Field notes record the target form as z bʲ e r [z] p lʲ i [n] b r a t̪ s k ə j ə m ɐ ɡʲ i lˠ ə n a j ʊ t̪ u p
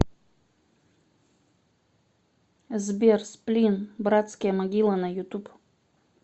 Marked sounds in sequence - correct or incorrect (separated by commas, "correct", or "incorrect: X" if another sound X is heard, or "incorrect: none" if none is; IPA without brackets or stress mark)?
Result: incorrect: s, correct